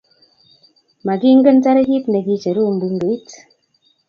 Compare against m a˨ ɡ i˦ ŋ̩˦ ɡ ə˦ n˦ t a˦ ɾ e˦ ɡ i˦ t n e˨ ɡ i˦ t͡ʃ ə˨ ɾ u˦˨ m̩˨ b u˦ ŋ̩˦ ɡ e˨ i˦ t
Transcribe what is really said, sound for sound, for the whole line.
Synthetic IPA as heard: m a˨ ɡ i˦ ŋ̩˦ ɡ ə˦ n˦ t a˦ ɾ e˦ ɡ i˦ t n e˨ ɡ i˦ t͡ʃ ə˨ ɾ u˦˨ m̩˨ b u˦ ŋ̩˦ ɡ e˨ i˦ t